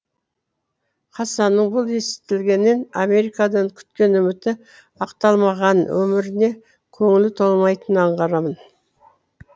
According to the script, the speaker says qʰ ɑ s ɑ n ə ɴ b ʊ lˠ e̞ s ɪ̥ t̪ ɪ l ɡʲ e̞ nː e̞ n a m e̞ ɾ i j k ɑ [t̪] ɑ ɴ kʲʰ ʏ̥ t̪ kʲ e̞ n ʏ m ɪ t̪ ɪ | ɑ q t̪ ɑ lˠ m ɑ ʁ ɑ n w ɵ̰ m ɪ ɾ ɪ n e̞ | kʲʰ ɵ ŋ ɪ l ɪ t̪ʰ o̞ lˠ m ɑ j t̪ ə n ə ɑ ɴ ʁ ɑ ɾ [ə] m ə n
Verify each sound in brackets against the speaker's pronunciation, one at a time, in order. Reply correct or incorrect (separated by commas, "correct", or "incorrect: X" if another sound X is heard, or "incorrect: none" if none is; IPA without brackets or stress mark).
incorrect: d̪, incorrect: ɑ